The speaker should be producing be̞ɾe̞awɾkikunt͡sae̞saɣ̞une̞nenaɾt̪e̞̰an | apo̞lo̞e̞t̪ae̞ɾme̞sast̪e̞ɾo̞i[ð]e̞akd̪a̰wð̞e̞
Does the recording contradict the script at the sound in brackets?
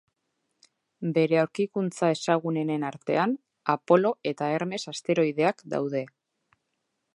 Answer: no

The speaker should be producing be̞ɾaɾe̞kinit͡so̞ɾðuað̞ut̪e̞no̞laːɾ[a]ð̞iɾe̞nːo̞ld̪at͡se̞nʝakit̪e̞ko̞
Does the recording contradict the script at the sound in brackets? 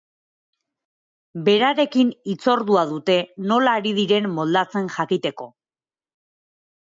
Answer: yes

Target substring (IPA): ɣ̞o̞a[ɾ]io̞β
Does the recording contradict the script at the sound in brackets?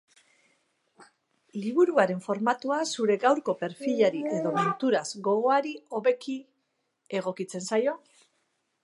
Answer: no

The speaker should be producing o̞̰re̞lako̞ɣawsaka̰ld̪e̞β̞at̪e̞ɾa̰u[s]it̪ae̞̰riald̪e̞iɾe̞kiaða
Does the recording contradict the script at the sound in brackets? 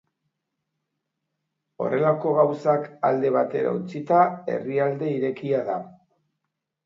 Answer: yes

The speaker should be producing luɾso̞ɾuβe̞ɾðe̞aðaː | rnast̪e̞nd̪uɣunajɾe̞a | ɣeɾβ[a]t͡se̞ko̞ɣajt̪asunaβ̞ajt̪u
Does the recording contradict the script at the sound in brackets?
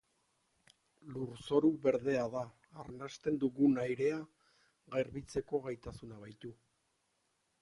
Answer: yes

